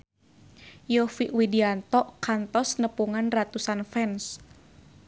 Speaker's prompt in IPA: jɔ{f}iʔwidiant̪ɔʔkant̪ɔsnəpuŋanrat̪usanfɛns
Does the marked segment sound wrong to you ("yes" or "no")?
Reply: no